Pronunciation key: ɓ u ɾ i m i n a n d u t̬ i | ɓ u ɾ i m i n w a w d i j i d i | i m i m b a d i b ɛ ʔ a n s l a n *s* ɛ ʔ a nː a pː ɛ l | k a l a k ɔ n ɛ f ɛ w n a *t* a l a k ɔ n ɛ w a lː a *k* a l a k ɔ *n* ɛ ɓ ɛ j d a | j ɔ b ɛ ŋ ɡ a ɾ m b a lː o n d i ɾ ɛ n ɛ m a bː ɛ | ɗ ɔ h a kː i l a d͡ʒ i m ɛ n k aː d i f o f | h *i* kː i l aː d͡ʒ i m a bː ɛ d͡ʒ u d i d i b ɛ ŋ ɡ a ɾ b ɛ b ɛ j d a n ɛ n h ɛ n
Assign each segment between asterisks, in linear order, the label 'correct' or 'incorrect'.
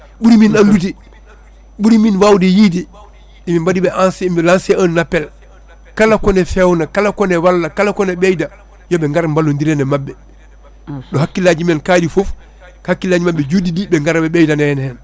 correct, incorrect, correct, correct, incorrect

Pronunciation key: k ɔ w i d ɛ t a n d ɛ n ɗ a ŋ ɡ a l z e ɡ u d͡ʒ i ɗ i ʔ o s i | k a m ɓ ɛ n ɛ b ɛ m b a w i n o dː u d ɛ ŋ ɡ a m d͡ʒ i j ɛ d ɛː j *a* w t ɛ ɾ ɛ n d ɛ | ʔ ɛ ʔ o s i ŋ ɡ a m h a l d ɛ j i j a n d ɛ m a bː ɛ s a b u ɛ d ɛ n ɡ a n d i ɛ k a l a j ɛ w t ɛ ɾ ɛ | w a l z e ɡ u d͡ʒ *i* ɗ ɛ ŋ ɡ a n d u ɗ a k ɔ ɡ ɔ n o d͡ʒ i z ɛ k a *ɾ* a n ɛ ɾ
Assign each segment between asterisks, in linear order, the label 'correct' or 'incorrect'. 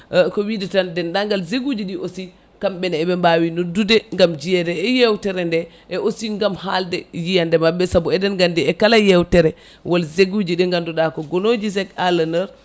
incorrect, correct, incorrect

